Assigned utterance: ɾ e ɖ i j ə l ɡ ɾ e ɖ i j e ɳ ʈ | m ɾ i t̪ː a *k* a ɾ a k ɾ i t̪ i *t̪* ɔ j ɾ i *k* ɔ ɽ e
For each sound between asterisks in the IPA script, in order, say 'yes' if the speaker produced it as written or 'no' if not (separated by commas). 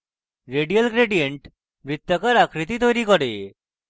yes, yes, yes